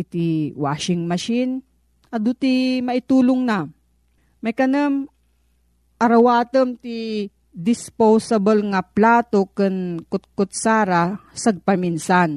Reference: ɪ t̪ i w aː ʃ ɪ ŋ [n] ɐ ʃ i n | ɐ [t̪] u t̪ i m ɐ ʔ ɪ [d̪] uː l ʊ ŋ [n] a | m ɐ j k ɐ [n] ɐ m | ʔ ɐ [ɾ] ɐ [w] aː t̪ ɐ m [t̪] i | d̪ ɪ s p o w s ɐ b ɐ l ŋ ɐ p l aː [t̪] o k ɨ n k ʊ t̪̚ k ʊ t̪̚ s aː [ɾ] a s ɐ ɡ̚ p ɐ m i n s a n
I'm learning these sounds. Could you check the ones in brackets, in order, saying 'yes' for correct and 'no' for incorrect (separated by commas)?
no, no, no, yes, yes, yes, yes, yes, yes, yes